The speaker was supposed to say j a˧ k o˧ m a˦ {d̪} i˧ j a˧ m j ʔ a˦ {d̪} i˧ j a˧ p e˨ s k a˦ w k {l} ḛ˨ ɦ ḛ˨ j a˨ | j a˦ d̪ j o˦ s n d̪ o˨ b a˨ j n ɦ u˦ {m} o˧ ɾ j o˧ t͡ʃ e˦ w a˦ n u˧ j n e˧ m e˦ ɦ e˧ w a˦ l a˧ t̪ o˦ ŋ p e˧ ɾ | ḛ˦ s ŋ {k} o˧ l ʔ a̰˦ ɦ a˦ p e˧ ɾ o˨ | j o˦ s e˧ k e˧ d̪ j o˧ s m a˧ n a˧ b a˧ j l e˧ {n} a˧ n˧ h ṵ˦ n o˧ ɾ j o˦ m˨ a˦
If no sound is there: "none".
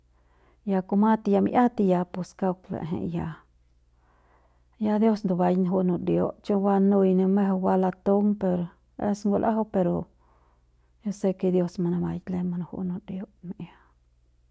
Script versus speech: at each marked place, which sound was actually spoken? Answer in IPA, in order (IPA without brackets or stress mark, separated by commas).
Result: t̪, t̪, l, n, ɡ, m